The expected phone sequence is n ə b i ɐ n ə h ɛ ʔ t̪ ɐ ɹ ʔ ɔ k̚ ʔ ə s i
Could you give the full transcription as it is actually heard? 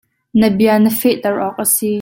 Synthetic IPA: n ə b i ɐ n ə f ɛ ʔ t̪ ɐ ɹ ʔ ɔ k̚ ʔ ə s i